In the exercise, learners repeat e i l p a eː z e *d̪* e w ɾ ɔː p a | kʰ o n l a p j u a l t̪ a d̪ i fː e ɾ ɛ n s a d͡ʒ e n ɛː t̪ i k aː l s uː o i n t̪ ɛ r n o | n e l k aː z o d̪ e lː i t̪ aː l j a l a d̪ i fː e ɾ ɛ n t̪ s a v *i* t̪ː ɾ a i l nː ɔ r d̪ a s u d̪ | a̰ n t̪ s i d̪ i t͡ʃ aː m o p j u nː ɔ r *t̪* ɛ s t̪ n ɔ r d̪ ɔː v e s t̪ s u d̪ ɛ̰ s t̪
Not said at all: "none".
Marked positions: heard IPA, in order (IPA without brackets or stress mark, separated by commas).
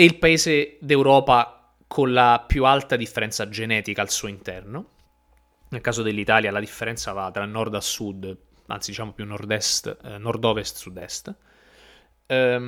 d̪, a, d̪